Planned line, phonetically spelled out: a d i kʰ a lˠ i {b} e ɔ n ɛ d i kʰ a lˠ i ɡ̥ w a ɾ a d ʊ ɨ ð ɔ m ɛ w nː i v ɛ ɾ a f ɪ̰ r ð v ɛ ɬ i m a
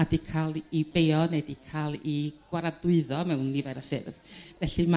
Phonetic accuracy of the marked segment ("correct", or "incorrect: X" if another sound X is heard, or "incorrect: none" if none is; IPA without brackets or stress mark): correct